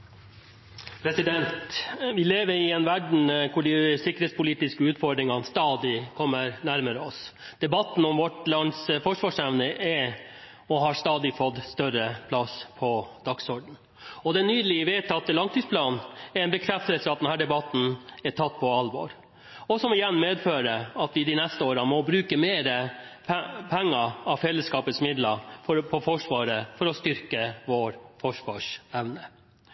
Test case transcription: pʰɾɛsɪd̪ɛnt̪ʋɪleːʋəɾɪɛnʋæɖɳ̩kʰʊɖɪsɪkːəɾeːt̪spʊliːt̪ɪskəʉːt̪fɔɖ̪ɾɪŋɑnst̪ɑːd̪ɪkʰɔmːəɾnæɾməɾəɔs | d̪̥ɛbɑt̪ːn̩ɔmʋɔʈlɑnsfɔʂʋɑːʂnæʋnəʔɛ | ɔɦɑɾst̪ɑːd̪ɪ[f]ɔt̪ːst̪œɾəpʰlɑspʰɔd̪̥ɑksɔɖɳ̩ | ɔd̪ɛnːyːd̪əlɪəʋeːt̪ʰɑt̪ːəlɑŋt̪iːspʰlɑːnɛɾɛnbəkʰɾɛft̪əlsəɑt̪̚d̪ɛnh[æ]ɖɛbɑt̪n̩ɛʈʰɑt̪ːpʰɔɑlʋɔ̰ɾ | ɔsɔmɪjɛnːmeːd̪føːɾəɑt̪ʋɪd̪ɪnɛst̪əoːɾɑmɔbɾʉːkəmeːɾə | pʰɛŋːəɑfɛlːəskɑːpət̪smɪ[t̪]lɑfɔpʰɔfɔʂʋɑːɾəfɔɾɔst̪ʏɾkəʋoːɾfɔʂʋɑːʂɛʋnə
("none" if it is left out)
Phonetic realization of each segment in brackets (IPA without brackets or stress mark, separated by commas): f, æː, d̪